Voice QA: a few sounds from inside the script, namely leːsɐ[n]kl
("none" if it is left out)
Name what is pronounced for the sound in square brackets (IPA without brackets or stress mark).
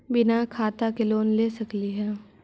none